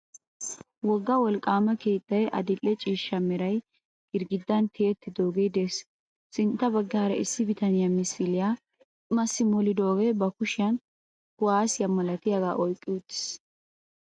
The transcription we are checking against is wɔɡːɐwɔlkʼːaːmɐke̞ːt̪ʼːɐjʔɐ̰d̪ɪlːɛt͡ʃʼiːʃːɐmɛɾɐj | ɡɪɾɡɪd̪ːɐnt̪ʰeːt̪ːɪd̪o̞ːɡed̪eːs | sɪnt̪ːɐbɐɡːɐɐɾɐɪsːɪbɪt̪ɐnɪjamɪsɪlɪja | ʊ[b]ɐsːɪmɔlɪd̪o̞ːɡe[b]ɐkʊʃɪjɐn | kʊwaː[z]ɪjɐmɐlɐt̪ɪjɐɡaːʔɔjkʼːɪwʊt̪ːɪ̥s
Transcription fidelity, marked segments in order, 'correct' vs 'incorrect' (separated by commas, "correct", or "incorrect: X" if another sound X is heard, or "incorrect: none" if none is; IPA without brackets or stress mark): incorrect: m, correct, incorrect: s